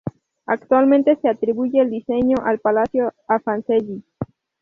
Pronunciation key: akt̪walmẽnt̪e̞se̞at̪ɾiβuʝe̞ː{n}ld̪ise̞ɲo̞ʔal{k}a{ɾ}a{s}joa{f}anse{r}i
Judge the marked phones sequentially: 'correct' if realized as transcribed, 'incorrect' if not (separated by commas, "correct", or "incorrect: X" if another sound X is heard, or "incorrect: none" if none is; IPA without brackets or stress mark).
incorrect: none, incorrect: p, incorrect: l, correct, correct, incorrect: ʎ